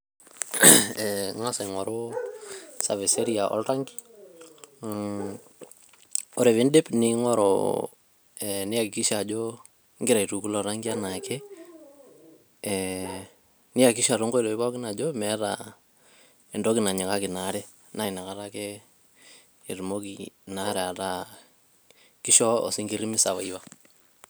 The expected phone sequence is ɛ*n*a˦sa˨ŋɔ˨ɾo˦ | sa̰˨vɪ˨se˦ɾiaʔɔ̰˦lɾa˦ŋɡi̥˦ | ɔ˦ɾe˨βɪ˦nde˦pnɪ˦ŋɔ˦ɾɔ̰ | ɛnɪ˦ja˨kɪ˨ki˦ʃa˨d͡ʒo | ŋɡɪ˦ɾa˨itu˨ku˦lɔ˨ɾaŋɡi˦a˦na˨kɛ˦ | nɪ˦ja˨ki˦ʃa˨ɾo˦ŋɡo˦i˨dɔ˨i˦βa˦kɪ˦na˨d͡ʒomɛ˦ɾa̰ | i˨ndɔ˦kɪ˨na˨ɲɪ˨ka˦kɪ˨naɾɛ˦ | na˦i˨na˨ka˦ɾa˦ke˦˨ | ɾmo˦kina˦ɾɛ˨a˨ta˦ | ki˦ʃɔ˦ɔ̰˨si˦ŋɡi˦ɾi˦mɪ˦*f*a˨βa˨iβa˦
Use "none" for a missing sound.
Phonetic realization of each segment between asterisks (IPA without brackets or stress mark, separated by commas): ŋ, s